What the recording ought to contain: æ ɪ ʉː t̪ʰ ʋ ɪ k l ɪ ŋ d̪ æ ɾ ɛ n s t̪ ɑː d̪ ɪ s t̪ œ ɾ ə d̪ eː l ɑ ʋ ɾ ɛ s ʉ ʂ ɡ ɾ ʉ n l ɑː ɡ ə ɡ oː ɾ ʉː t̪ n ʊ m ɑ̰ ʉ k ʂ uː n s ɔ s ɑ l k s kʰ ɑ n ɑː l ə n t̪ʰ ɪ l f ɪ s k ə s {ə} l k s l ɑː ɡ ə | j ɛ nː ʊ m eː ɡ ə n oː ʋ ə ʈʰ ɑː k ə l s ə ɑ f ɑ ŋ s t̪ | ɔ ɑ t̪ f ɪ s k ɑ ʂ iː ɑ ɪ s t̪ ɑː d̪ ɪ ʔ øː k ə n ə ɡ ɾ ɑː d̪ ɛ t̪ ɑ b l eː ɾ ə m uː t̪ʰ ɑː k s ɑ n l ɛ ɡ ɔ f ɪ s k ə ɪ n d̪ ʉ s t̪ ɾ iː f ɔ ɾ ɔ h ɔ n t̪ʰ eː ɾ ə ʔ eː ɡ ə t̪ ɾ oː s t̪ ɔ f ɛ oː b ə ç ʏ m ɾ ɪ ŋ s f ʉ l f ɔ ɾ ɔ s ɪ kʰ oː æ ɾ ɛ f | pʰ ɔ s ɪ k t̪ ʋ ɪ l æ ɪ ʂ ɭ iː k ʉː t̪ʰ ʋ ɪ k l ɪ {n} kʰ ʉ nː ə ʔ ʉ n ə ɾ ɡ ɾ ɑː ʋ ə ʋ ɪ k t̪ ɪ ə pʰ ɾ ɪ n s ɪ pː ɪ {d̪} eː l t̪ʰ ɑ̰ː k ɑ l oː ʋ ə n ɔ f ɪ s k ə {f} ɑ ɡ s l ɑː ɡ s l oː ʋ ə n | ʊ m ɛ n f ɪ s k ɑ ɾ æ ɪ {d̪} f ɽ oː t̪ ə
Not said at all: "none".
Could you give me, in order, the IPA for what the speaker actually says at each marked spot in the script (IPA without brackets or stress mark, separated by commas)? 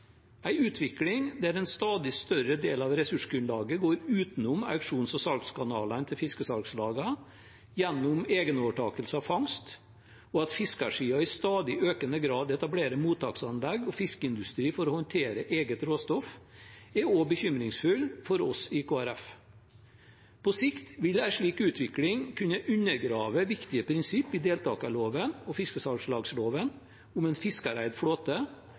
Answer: ɑ, ŋ, d̪, s, d̪